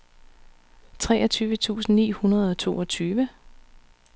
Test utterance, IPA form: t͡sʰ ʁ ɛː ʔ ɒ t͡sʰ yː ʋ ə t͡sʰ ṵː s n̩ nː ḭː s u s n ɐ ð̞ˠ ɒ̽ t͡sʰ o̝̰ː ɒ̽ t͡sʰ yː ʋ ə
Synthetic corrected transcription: t͡sʰ ʁ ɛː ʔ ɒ t͡sʰ yː ʋ ə t͡sʰ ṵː s n̩ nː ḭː h u n ɐ ð̞ˠ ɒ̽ t͡sʰ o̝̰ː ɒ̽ t͡sʰ yː ʋ ə

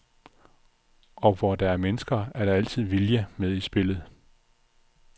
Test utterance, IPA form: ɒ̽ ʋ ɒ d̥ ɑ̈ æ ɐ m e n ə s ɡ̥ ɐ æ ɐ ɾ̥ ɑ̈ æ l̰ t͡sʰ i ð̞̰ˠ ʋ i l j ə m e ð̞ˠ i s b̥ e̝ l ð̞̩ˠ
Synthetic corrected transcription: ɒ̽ ʋ ɒ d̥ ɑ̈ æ ɐ m e n ə s ɡ̥ ɐ æ ɐ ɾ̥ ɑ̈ æ l̰ t͡sʰ i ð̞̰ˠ ʋ i l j ə m e ð̞ˠ i s b̥ e̝ l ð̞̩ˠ

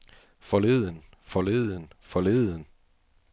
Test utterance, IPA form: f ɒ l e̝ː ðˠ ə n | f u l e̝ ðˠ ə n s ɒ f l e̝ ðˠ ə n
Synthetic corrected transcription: f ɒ l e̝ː ðˠ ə n | f ɒ l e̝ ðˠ ə n f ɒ l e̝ ðˠ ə n

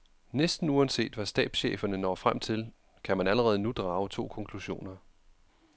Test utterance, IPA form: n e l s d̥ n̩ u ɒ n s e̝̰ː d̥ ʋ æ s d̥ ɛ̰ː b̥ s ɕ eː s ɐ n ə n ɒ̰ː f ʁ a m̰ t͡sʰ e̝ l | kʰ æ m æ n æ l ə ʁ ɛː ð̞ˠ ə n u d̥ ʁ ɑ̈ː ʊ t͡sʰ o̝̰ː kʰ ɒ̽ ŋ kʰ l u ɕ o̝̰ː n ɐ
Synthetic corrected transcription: n e s d̥ n̩ u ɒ n s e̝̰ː d̥ ʋ æ s d̥ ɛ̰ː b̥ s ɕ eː f ɐ n ə n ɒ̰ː f ʁ a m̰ t͡sʰ e̝ l | kʰ æ m æ n æ l ə ʁ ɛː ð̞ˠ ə n u d̥ ʁ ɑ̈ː ʊ t͡sʰ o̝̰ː kʰ ɒ̽ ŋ kʰ l u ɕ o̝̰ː n ɐ

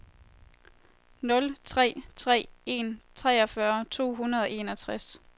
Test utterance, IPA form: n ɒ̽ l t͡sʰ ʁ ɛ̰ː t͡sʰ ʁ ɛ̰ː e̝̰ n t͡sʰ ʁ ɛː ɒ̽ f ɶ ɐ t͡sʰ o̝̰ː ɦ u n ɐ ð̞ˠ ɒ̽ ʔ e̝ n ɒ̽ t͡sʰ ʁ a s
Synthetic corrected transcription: n ɔ̽ l t͡sʰ ʁ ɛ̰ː t͡sʰ ʁ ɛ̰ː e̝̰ n t͡sʰ ʁ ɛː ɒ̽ f ɶ ɐ t͡sʰ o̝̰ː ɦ u n ɐ ð̞ˠ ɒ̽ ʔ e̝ n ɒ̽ t͡sʰ ʁ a s

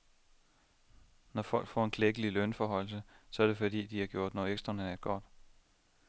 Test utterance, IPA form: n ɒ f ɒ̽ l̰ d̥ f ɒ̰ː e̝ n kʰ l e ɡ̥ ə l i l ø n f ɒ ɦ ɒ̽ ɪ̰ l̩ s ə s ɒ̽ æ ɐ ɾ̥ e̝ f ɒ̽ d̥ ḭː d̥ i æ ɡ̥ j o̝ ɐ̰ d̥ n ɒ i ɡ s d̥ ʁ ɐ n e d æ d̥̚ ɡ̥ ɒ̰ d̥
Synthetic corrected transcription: n ɒ f ɒ̽ l̰ ɡ̥ f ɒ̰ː e̝ n kʰ l e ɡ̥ ə l i l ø n f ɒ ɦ ɒ̽ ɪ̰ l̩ s ə s ɒ̽ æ ɐ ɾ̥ e̝ f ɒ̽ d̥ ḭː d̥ i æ ɡ̥ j o̝ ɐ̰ d̥ n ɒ e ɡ s d̥ ʁ ɐ n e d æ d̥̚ ɡ̥ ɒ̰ d̥

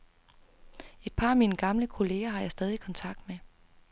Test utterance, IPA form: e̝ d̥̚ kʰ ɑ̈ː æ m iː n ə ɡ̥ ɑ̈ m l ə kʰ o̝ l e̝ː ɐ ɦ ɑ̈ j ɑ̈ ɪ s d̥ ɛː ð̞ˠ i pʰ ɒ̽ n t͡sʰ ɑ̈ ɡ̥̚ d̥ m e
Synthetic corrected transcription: e̝ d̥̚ pʰ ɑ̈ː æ m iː n ə ɡ̥ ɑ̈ m l ə kʰ o̝ l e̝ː ɐ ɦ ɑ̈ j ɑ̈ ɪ s d̥ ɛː ð̞ˠ i kʰ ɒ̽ n t͡sʰ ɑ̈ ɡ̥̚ d̥ m e

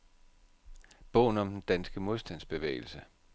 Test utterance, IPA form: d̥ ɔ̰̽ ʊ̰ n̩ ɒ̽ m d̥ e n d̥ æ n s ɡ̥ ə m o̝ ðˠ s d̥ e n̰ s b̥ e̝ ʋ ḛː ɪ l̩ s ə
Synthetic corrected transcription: b̥ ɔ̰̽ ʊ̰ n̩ ɒ̽ m d̥ e n d̥ æ n s ɡ̥ ə m o̝ ðˠ s d̥ æ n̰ s b̥ e̝ ʋ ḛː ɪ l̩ s ə

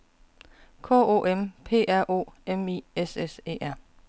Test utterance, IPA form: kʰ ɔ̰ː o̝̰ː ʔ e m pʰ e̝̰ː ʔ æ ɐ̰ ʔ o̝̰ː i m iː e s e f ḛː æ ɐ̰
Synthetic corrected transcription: kʰ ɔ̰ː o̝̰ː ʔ e m pʰ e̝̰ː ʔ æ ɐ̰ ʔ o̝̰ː e m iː e s e s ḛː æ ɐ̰

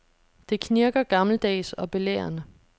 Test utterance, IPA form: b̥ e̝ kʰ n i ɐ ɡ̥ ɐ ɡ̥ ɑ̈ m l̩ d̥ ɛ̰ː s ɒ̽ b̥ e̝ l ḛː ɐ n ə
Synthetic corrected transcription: d̥ e̝ kʰ n i ɐ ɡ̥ ɐ ɡ̥ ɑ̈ m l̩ d̥ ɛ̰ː s ɒ̽ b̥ e̝ l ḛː ɐ n ə

